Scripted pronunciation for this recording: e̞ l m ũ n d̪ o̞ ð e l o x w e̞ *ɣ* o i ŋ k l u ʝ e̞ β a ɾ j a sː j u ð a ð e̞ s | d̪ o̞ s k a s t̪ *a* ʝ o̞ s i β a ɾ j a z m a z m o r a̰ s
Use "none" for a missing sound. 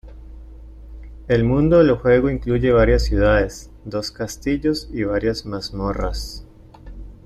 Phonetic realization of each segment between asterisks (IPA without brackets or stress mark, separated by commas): ɣ, i